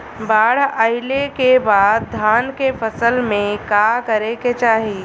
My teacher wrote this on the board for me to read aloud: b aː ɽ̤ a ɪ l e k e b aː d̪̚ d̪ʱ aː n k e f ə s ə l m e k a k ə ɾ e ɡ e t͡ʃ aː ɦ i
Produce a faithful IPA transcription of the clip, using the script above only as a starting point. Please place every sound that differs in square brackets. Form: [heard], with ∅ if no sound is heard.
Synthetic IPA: b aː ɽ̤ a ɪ l e k e b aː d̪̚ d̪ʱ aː n k e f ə s ə l m [ẽ] k a k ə ɾ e [k] e t͡ʃ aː ɦ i